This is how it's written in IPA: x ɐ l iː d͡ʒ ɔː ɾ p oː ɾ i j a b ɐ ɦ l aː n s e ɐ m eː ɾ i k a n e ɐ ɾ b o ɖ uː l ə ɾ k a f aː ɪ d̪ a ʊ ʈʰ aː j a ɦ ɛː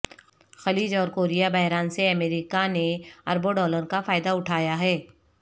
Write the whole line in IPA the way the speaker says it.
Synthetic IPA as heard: x ɐ l iː d͡ʒ ɔː ɾ k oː ɾ i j a b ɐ ɦ ɾ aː n s e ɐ m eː ɾ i k a n e ɐ ɾ b o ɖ ɔː l ə ɾ k a f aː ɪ d̪ a ʊ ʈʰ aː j a ɦ ɛː

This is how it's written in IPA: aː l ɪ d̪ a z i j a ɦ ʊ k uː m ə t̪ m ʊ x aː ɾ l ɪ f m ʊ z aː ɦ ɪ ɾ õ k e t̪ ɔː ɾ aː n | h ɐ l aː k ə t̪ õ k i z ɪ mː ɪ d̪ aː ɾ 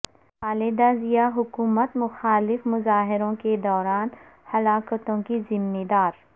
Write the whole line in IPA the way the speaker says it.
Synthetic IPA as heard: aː l ɪ d̪ a z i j a ɦ ʊ k uː m ə t̪ m ʊ x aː l ɪ f m ʊ z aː ɦ ɪ ɾ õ k e d̪ ɔː ɾ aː n | h ɐ l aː k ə t̪ õ k i z ɪ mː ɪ d̪ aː ɾ

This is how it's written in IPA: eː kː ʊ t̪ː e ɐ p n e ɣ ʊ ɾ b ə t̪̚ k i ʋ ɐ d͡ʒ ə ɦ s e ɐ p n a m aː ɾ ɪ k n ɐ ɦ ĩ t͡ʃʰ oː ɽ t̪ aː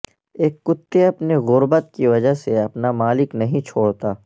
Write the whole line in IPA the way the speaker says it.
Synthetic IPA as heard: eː kː ʊ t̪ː e ɐ p n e ɣ ʊ ɾ b ə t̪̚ k i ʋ ɐ d͡ʒ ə ɦ s e ɐ p n a m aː l ɪ k n ɐ ɦ ĩ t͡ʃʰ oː ɽ t̪ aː

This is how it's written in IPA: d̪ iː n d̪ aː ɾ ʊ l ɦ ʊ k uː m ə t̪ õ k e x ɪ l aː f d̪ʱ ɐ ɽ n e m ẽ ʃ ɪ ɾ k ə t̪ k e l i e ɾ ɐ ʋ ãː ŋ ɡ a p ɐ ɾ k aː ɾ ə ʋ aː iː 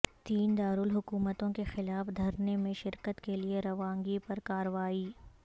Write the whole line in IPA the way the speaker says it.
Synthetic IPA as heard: t̪ iː n d̪ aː ɾ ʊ l ɦ ʊ k uː m ə t̪ õ k e x ɪ l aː f d̪ʱ ɐ ɾ n e m ẽ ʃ ɪ ɾ k ə t̪ k e l i e ɾ ɐ ʋ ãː ŋ ɡ i p ɐ ɾ k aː ɾ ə ʋ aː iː

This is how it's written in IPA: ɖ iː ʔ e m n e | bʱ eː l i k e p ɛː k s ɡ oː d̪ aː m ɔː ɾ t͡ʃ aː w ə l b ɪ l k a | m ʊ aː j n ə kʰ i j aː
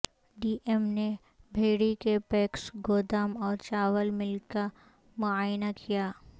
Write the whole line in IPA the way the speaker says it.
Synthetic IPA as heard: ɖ iː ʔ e m n e | bʱ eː ɽ i k e p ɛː k s ɡ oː d̪ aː m ɔː ɾ t͡ʃ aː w ə l m ɪ l k a | m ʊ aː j n a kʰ i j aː

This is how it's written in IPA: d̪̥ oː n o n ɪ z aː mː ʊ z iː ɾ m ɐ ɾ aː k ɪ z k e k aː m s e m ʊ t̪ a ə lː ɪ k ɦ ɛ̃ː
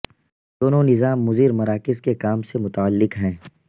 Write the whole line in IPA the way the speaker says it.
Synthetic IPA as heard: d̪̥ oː n o n ɪ z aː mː ʊ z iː ɾ m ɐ ɾ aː k ɪ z k e k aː m s e m ʊ t̪ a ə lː ɪ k ɦ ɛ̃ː

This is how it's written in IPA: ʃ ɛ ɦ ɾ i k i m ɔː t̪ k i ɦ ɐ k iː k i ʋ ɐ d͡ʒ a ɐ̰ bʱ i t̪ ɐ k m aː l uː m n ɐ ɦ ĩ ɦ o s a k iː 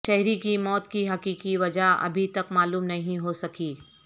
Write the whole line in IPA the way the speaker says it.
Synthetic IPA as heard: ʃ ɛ ɦ ɾ i k i m ɔː t̪ k i ɦ ɐ k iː k i ʋ ɐ d͡ʒ a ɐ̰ bʱ i t̪ ɐ k m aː l uː m n ɐ ɦ ĩ ɦ o s ɐ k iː

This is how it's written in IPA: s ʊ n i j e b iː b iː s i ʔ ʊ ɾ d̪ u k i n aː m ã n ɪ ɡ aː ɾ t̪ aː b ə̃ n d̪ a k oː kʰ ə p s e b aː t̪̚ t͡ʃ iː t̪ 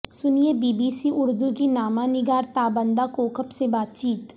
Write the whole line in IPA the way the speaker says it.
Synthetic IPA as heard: s ʊ n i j e b iː b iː s i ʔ ʊ ɾ d̪ u k i n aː m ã n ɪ ɡ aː ɾ t̪ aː b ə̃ n d̪ a k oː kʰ ə p s e b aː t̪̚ t͡ʃ iː t̪

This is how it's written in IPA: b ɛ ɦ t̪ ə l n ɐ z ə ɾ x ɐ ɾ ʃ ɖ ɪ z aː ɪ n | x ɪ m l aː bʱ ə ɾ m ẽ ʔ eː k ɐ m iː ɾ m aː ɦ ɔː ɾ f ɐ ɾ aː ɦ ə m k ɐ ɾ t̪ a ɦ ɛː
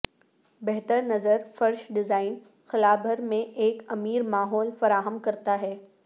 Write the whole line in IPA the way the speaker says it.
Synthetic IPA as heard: b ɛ ɦ t̪ ə ɾ n ɐ z ə ɾ f ɐ ɾ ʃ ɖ ɪ z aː ɪ n | x ɪ l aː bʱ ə ɾ m ẽ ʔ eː k ɐ m iː ɾ m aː ɦ ɔː l f ɐ ɾ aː ɦ ə m k ɐ ɾ t̪ a ɦ ɛː

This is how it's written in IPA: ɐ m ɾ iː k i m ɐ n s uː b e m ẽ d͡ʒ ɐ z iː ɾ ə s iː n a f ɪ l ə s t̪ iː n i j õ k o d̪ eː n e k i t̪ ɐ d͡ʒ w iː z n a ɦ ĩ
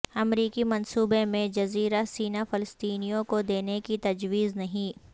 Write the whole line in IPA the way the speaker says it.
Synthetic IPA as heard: ɐ m ɾ iː k i m ɐ n s uː b e m ẽ d͡ʒ ɐ z iː ɾ a s iː n a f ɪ l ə s t̪ iː n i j õ k o d̪ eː n e k i t̪ ɐ d͡ʒ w iː z n ɐ ɦ ĩ

